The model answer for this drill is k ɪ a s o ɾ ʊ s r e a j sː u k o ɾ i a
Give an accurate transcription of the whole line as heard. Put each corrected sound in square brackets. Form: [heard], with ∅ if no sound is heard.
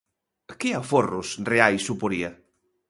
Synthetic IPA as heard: k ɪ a [f] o [r] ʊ s r e a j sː u [p] o ɾ i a